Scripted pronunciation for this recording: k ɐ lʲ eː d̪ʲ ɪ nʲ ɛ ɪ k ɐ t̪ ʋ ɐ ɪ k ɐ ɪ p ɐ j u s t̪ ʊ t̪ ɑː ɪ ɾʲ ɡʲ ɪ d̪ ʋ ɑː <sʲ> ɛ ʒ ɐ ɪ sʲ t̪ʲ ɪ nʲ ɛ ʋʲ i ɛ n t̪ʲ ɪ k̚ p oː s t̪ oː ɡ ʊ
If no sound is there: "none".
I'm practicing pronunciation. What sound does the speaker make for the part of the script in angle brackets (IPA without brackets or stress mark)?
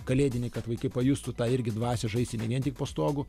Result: sʲ